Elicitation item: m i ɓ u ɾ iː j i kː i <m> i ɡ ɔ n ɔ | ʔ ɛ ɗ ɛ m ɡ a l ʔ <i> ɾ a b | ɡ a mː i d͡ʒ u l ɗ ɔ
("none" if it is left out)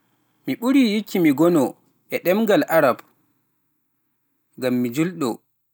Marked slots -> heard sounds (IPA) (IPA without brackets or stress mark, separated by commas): m, a